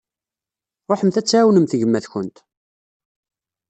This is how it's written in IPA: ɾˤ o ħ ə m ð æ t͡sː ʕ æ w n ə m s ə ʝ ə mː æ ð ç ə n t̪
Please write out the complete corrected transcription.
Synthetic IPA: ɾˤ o ħ ə m θ æ t͡sː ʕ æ w n ə m θ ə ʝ ə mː æ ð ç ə n t̪

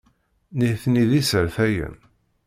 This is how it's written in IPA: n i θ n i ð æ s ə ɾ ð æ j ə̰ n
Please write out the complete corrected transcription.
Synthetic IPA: n i θ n i ð i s ə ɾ θ æ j ə̰ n

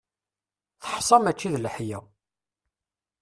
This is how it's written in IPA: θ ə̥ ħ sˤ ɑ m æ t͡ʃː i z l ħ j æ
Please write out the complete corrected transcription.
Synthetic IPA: θ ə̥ ħ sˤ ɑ m æ t͡ʃː i ð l ħ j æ

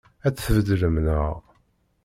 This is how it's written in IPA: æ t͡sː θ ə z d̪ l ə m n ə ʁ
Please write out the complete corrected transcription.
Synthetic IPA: æ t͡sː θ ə v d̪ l ə m n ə ʁ

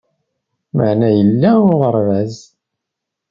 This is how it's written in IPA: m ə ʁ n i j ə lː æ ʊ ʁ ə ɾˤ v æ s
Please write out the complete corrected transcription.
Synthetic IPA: m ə ʕ n æ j ə lː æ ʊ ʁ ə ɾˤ v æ z

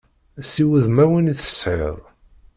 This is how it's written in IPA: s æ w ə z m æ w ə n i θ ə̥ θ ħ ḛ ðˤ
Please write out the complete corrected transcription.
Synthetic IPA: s i w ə ð m æ w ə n i θ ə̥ s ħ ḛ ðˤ

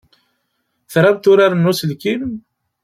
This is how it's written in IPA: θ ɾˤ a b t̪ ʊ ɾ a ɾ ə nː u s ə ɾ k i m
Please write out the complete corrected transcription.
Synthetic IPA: θ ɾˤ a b t̪ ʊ ɾ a ɾ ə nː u s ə l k i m

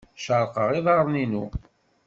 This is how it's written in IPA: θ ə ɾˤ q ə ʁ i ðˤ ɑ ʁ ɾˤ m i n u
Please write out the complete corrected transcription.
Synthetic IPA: ʃ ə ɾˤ q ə ʁ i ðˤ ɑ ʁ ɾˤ n i n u

